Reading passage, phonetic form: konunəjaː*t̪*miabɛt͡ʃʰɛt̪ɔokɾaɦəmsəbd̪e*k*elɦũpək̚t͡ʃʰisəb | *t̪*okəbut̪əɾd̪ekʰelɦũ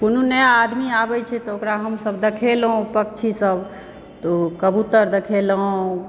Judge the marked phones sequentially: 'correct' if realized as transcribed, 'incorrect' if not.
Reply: incorrect, incorrect, correct

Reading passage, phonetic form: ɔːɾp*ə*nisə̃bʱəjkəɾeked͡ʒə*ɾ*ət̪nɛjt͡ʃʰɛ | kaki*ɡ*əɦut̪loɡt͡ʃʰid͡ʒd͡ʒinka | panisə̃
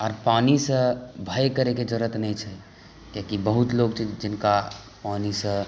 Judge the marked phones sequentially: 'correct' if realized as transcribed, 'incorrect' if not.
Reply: incorrect, correct, incorrect

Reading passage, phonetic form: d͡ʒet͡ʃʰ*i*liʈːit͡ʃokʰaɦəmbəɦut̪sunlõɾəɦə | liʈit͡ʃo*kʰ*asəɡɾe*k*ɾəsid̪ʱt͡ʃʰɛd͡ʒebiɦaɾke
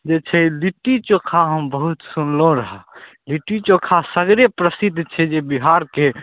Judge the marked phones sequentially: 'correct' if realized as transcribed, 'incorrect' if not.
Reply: incorrect, correct, incorrect

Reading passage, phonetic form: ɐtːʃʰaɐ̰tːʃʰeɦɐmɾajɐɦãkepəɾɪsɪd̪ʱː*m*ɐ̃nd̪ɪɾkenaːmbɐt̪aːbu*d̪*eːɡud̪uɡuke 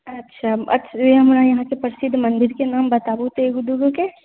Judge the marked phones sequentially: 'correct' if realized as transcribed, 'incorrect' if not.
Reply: correct, incorrect

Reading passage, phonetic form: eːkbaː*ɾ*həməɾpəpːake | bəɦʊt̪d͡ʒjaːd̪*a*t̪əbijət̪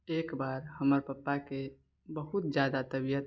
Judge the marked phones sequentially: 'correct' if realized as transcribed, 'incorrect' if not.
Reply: correct, correct

